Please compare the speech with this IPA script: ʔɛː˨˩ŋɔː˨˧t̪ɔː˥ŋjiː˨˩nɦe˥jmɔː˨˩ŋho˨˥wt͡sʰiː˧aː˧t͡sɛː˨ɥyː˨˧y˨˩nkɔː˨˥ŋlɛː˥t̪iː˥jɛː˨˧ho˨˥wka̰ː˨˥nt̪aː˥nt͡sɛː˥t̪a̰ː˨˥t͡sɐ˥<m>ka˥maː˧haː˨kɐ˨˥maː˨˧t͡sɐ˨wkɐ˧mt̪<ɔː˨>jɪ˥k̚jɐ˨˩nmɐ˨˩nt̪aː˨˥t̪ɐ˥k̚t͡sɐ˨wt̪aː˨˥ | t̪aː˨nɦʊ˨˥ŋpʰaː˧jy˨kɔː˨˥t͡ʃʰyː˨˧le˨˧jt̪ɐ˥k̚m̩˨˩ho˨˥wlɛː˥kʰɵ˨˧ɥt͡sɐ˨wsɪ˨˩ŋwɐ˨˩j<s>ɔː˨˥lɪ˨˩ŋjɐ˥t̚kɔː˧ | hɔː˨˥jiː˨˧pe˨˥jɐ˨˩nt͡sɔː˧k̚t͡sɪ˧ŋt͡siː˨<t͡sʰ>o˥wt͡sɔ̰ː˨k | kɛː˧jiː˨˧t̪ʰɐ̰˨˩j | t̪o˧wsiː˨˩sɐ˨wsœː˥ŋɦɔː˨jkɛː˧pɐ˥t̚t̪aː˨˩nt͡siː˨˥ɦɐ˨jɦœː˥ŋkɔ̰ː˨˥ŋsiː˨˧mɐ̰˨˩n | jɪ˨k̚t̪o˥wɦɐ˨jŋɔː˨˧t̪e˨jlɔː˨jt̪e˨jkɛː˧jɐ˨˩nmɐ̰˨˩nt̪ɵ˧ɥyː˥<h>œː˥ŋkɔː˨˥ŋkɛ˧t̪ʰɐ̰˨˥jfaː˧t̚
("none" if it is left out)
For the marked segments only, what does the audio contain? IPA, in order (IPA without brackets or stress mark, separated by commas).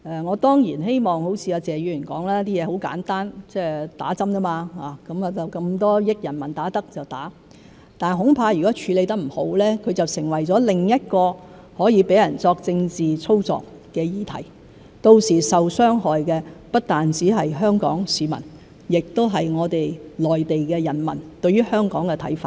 m, ɔː˥, t͡s, t͡sʰ, h